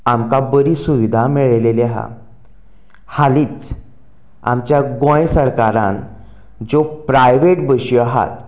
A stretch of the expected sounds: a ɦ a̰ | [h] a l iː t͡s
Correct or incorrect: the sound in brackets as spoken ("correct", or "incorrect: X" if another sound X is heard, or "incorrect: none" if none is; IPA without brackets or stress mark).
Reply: correct